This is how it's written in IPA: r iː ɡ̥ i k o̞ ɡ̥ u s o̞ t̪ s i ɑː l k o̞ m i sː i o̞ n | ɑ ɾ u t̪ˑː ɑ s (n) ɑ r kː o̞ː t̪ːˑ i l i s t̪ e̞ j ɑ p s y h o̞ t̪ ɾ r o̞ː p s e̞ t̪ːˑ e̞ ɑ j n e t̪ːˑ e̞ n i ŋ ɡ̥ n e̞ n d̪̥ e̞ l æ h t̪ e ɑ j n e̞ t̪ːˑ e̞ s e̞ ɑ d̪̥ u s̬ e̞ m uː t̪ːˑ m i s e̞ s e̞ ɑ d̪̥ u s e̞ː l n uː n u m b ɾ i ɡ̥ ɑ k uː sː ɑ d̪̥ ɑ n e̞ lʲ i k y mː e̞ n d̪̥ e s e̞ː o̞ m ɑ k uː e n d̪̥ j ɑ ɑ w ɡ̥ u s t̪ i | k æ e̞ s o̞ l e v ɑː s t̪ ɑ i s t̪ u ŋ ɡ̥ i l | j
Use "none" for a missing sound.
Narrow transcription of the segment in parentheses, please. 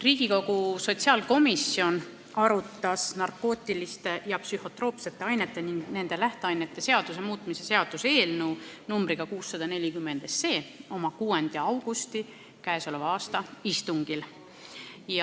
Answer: n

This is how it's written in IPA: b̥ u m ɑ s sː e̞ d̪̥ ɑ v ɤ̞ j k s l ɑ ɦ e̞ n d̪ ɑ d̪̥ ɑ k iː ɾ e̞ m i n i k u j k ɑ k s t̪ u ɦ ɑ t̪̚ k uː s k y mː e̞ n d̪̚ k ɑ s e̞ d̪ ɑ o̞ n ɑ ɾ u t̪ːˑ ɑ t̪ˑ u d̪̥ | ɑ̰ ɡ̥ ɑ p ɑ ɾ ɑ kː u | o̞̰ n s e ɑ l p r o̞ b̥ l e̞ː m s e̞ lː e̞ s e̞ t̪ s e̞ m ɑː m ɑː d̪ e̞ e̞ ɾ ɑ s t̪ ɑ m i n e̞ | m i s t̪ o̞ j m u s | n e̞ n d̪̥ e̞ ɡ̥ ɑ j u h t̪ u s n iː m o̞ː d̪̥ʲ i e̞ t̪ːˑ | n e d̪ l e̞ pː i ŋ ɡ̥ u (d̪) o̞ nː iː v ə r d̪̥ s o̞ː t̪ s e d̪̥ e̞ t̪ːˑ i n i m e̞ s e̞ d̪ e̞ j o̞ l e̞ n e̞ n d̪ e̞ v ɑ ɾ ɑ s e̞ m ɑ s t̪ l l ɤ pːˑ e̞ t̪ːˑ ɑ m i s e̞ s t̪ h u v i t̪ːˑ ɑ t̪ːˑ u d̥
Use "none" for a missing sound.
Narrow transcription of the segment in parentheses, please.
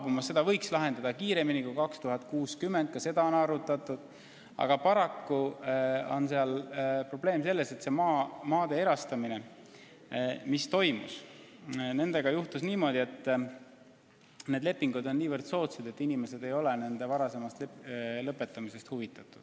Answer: d̪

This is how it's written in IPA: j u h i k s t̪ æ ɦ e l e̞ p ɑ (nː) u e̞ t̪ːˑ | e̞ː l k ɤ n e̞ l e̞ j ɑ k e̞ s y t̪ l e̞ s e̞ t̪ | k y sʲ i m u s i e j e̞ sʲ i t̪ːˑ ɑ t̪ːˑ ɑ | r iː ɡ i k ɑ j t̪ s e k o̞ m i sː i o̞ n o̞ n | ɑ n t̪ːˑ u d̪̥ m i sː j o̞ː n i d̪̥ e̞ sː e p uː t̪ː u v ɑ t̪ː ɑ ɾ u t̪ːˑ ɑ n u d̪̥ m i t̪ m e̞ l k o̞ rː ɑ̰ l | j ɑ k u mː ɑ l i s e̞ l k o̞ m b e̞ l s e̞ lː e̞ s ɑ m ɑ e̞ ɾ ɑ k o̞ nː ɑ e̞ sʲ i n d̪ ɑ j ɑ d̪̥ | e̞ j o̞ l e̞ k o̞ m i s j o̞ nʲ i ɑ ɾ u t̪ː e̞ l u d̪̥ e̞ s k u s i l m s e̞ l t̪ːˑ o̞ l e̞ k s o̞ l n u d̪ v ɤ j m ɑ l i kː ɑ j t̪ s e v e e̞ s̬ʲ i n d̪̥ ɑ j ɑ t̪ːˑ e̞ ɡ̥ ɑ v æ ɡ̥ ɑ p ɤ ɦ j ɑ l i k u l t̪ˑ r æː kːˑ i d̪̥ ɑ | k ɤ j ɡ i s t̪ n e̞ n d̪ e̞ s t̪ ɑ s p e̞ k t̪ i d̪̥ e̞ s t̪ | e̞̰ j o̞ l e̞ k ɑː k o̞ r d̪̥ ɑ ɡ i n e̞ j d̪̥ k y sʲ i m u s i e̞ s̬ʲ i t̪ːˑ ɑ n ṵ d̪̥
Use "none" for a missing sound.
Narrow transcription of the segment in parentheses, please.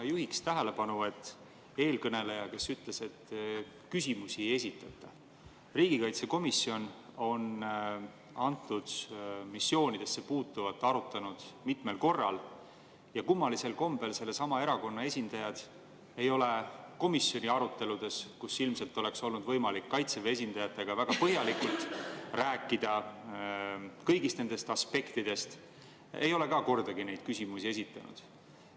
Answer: n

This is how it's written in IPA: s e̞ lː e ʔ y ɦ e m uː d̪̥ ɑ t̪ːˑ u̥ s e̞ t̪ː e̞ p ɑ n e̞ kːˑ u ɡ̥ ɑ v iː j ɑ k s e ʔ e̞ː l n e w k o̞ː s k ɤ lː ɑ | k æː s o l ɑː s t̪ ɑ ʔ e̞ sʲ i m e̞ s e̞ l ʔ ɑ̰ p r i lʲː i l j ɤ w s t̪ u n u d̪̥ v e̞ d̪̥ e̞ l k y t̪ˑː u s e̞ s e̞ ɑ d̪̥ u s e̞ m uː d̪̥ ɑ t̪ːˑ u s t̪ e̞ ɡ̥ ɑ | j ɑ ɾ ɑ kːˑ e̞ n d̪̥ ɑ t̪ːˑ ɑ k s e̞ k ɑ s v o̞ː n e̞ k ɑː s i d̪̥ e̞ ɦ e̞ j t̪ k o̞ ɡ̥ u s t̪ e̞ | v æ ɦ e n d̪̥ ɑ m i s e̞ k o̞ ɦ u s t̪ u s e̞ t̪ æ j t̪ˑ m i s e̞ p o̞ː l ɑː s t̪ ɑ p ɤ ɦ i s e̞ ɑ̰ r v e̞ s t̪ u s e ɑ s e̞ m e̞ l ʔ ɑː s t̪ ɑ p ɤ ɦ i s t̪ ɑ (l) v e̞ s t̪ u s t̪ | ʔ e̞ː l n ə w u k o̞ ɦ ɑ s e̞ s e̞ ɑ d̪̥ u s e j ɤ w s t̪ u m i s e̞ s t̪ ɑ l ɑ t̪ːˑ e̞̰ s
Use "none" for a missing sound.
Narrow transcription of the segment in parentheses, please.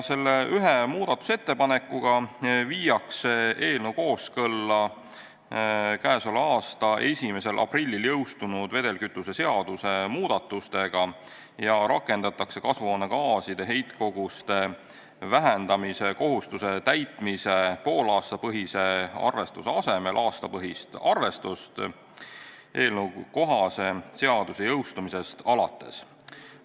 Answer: r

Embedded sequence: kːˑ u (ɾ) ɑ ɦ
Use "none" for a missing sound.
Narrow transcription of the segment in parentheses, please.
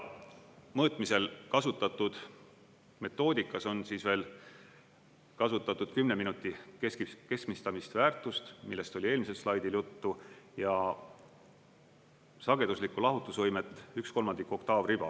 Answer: l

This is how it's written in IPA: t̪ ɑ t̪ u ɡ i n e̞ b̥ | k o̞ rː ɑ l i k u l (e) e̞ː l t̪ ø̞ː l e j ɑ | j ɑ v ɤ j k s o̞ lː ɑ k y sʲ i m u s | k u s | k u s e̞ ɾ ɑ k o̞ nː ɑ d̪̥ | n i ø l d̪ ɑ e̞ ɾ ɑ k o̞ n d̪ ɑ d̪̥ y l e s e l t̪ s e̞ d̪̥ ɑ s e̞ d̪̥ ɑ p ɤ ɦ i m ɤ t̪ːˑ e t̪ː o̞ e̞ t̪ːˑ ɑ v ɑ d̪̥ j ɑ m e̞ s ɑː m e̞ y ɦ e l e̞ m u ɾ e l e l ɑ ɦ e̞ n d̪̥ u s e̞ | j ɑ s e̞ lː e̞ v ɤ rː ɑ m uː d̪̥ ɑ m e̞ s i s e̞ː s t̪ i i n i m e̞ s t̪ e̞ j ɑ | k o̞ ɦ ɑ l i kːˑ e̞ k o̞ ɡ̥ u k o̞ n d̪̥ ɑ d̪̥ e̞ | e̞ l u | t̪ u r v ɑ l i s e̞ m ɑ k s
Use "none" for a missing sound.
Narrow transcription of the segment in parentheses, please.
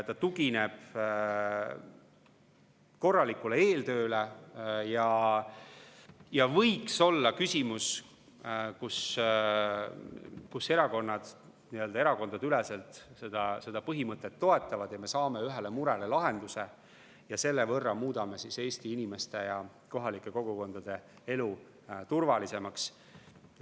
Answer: e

